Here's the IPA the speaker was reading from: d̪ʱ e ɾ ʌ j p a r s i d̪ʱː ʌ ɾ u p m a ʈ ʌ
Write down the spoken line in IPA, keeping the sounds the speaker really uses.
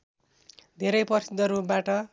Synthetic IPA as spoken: d̪ʱ e ɾ ʌ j p ʌ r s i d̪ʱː ʌ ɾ u p b a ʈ ʌ